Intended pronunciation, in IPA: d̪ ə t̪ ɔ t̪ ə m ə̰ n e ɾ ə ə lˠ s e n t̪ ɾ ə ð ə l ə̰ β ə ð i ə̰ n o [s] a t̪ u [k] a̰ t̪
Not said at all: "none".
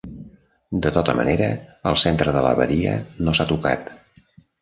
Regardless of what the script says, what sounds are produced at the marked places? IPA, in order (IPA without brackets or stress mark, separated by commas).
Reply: s, k